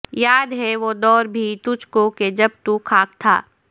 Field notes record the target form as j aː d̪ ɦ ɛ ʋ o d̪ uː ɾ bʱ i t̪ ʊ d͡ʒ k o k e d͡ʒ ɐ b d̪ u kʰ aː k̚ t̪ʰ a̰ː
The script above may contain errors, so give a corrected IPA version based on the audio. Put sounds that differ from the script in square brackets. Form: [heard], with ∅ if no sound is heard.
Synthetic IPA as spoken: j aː d̪ ɦ ɛ ʋ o d̪ [ɔː] ɾ bʱ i t̪ ʊ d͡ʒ k o k e d͡ʒ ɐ b [t̪] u kʰ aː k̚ t̪ʰ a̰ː